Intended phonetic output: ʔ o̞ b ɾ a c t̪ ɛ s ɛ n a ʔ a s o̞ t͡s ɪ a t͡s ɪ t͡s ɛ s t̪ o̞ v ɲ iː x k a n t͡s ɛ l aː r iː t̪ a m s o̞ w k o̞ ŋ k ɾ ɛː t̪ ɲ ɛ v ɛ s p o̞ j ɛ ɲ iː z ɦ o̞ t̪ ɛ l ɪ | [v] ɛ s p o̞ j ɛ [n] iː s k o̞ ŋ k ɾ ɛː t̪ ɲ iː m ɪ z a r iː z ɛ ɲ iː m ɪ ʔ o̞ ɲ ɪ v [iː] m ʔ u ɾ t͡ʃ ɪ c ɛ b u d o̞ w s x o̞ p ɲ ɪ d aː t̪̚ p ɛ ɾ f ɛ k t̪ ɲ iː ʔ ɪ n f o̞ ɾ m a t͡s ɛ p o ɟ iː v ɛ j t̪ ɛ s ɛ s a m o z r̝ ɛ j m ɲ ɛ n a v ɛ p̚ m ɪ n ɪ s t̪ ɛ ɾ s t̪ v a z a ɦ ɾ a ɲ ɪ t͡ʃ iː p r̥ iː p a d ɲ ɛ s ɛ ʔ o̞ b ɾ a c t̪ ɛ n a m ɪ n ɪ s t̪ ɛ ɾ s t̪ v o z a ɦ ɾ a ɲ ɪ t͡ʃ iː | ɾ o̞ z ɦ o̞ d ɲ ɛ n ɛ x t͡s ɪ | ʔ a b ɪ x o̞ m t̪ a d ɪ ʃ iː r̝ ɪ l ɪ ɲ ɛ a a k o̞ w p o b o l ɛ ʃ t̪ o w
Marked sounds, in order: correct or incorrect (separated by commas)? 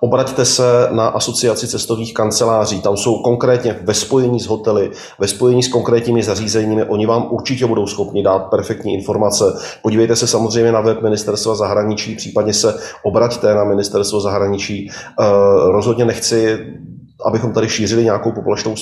correct, incorrect, incorrect